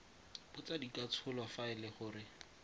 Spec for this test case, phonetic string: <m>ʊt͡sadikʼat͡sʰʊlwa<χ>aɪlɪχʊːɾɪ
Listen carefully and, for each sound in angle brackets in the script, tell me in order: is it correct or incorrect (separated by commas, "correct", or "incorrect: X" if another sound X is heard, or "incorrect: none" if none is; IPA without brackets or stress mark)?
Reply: incorrect: b, incorrect: f